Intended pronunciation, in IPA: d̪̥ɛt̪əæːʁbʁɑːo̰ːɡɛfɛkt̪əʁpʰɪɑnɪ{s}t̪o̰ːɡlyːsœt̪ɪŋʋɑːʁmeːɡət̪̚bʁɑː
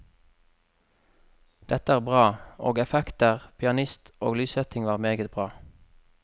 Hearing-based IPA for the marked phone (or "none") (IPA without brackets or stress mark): s